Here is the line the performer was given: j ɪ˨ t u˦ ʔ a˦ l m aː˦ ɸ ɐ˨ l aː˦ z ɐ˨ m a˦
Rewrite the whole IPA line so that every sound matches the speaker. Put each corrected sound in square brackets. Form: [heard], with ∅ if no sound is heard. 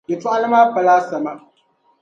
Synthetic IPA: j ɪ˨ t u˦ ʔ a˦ l m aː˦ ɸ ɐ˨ l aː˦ [s] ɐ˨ m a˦